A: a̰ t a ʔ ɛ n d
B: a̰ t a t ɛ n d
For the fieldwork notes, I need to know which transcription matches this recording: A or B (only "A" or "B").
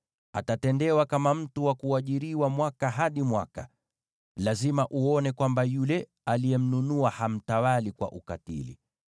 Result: B